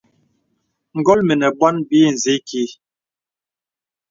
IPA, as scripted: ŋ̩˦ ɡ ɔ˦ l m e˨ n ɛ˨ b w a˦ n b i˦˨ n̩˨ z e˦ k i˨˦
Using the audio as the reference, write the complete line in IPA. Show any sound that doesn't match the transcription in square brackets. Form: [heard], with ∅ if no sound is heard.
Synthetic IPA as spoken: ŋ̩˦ ɡ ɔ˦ l m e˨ n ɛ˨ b w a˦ n b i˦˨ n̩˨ z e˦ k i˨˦